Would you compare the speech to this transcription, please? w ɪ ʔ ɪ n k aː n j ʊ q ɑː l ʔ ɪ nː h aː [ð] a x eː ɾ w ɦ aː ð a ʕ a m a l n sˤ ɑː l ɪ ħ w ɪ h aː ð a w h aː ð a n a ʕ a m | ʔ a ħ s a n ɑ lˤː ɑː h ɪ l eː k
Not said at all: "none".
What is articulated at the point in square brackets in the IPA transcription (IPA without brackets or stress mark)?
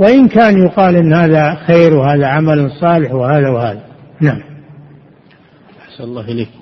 ð